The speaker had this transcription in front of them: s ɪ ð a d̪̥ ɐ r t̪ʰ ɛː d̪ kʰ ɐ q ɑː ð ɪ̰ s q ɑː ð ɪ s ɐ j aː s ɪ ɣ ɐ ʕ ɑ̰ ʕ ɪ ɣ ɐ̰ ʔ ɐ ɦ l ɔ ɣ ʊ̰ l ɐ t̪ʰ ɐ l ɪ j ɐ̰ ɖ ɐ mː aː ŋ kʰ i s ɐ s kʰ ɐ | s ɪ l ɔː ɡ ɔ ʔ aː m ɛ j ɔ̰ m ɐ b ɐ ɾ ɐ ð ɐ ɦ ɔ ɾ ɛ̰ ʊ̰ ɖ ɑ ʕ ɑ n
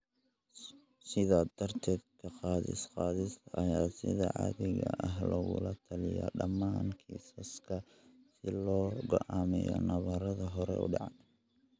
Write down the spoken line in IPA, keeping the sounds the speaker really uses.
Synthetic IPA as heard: s ɪ ð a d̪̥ ɐ r t̪ʰ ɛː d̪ kʰ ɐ q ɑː ð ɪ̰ s q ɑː ð ɪ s ɐ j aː s ɪ ð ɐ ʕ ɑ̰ ð ɪ ɣ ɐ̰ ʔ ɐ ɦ l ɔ ɣ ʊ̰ l ɐ t̪ʰ ɐ l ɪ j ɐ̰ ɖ ɐ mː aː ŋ kʰ i s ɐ s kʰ ɐ | s ɪ l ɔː ɡ ɔ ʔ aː m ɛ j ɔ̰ n ɐ β ɐ ɾ ɐ ð ɐ ɦ ɔ ɾ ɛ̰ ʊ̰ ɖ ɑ ʕ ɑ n